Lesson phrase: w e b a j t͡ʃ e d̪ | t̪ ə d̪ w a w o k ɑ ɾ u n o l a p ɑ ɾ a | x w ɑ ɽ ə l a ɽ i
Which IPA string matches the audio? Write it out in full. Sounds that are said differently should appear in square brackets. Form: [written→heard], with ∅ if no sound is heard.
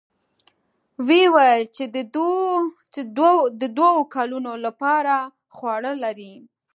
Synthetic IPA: w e [b→w] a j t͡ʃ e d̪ | [t̪→d̪] ə d̪ w a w o k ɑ [ɾ→l] u n o l a p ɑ ɾ a | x w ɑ ɽ ə l a [ɽ→ɾ] i